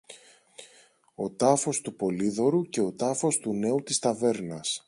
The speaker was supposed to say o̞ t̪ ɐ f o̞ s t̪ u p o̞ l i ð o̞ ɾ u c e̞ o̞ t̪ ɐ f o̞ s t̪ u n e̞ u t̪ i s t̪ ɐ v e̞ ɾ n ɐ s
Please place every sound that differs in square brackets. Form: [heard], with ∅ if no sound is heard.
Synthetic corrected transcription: o̞ t̪ ɐ f o̞ s t̪ u p o̞ l i ð o̞ ɾ u c e̞ o̞ t̪ ɐ f o̞ s t̪ u n e̞ u t̪ i s t̪ ɐ v e̞ ɾ n ɐ s